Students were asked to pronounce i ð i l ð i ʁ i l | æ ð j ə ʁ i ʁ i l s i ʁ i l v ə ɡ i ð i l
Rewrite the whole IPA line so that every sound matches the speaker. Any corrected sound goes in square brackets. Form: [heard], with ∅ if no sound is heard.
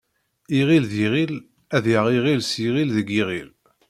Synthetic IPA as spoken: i [ʁ] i l ð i ʁ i l | æ ð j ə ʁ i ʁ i l s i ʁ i l [ð] ə ɡ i [ʁ] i l